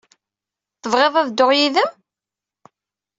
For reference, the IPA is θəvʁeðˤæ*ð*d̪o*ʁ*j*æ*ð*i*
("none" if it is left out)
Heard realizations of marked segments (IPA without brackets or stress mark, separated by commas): ð, ʁ, i, æ